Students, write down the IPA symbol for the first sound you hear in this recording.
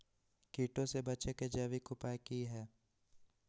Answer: k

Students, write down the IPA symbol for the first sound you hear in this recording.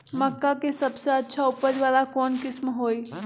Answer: m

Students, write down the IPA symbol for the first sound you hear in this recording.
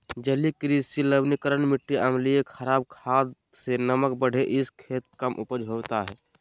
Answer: d͡ʒ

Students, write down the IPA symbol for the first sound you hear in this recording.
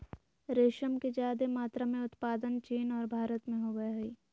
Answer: ɾ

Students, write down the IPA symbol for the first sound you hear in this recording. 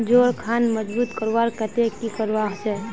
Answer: d͡ʒ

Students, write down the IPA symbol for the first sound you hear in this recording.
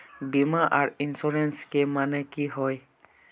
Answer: b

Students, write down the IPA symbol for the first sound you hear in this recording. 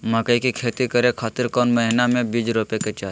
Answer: m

